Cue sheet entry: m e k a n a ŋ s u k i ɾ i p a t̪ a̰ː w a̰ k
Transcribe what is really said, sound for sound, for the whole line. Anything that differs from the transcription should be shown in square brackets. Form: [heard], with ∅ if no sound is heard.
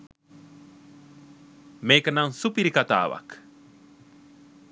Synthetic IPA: m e k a n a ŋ s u [p] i ɾ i [k] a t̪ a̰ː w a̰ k